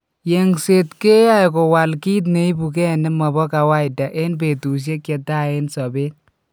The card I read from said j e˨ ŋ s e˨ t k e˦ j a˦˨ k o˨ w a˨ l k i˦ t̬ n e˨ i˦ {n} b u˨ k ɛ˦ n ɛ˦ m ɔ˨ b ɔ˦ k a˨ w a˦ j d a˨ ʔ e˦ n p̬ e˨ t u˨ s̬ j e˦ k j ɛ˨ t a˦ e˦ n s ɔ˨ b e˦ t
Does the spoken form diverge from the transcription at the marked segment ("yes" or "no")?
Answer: yes